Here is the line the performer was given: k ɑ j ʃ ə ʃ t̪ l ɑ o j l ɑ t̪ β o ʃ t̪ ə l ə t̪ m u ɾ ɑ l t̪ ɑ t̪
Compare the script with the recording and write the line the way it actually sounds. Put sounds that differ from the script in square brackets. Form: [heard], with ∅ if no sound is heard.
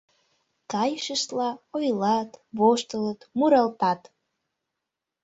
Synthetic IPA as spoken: k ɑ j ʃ ə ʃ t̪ l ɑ o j l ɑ t̪ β o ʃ t̪ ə l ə t̪ m u ɾ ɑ l t̪ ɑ t̪